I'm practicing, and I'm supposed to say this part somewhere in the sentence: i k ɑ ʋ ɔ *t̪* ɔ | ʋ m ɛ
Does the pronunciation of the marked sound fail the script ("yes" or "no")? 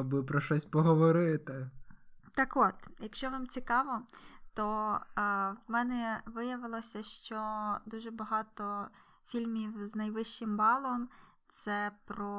no